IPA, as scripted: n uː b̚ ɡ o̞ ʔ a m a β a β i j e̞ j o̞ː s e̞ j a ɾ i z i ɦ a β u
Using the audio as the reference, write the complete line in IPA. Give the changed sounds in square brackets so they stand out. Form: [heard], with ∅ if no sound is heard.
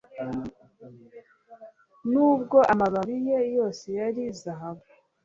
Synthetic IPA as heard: n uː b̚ ɡ o̞ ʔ a m a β a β i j e̞ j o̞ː s e̞ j a ɾ i z [a] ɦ a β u